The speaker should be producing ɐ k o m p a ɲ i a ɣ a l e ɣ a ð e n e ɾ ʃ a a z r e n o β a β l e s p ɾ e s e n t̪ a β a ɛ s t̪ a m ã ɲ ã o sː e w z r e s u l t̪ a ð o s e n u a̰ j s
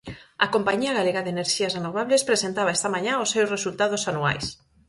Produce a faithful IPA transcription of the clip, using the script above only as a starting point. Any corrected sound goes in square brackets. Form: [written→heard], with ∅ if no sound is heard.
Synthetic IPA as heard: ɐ k o m p a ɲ i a ɣ a l e ɣ a ð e n e ɾ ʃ [a→i] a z r e n o β a β l e s p ɾ e s e n t̪ a β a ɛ s t̪ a m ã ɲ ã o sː e w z r e s u l t̪ a ð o s [e→a] n u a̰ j s